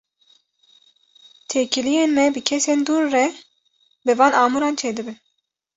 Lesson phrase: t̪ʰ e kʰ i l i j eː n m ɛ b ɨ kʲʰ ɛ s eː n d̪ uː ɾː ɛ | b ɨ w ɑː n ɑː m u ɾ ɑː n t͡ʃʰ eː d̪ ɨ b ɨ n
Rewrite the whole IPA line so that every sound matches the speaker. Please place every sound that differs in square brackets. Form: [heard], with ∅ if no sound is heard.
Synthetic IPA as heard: t̪ʰ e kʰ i l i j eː n m ɛ b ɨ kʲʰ ɛ s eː n d̪ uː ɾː ɛ | b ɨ [v] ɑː n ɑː m u ɾ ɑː n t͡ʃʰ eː d̪ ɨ b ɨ n